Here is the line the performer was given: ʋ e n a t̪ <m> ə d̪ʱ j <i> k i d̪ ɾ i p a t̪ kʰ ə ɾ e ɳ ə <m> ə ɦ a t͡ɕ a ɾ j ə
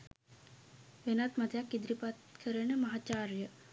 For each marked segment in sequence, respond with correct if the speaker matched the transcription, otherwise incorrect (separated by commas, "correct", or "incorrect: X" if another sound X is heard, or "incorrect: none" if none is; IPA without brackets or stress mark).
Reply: correct, incorrect: a, correct